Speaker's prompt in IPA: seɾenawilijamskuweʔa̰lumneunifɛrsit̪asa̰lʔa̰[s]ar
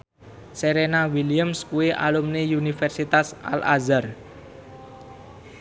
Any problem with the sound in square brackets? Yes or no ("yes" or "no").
yes